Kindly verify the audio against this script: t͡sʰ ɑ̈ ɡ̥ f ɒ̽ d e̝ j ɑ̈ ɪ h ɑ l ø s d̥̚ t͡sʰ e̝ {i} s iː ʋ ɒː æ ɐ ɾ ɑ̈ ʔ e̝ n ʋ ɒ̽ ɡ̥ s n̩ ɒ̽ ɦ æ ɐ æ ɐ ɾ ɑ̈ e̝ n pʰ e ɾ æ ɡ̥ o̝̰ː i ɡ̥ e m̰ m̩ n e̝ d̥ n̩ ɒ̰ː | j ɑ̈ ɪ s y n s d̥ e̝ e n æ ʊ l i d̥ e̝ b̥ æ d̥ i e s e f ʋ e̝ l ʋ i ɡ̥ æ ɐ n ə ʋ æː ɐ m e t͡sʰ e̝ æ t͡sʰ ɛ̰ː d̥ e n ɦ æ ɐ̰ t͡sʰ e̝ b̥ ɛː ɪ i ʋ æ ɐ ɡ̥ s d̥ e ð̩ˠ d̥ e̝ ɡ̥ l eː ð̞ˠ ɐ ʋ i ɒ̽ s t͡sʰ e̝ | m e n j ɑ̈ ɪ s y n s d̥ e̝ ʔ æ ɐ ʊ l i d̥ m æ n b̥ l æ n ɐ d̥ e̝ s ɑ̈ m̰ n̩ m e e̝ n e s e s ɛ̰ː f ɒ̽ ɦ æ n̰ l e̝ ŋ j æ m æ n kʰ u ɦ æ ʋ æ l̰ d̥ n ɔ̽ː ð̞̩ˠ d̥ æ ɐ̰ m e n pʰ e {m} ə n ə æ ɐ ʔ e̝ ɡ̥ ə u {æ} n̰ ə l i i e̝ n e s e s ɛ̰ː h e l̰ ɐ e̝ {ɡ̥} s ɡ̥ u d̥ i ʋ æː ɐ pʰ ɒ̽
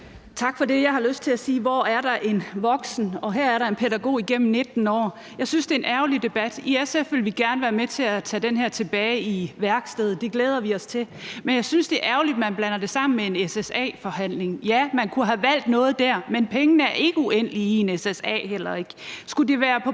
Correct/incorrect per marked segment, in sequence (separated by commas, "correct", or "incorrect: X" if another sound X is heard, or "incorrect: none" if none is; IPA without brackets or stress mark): incorrect: æ, incorrect: ŋ, incorrect: e, correct